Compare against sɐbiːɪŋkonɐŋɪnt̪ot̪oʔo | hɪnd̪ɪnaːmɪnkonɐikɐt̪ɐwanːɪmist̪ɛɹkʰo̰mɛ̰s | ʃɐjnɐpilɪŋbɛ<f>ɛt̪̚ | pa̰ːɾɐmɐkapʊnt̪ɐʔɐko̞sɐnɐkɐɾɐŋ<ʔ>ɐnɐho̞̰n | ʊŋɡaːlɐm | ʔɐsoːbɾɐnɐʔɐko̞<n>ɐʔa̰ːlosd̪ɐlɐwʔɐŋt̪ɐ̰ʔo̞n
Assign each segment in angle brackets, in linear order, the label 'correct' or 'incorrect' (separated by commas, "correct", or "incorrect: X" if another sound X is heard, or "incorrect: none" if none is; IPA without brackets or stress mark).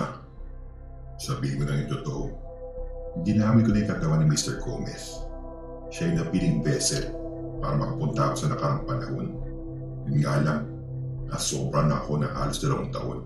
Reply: incorrect: s, incorrect: p, correct